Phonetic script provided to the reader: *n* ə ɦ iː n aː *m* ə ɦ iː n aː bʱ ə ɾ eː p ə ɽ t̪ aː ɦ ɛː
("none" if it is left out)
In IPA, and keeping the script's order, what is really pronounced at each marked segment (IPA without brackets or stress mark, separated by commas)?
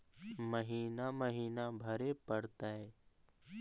m, m